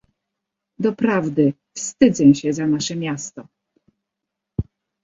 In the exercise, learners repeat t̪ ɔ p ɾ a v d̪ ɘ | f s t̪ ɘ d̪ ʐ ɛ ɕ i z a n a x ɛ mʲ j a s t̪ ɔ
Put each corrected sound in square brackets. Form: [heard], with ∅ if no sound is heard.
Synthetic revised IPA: [d̪] ɔ p ɾ a v d̪ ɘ | f s t̪ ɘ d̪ [z] ɛ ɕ [ɛ] z a n a [ʂ] ɛ mʲ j a s t̪ ɔ